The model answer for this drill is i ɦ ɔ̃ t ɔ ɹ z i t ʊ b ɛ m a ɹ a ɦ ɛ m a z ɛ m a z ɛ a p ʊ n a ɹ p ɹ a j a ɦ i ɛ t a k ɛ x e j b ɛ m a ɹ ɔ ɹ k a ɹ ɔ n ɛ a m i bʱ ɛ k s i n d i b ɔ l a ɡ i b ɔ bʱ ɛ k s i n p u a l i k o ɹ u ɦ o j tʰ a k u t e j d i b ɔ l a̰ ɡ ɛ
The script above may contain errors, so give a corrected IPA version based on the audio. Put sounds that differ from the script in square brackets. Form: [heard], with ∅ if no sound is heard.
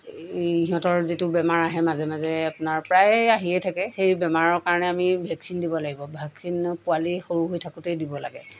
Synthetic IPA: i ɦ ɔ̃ t ɔ ɹ z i t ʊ b ɛ m a ɹ a ɦ ɛ m a z ɛ m a z ɛ a p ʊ n a ɹ p ɹ a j a ɦ i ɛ [tʰ] a k ɛ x e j b ɛ m a ɹ ɔ ɹ k a ɹ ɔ n ɛ a m i bʱ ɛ k s i n d i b ɔ l a ɡ i b ɔ bʱ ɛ k s i n p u a l i [x] o ɹ u ɦ o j tʰ a k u t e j d i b ɔ l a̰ ɡ ɛ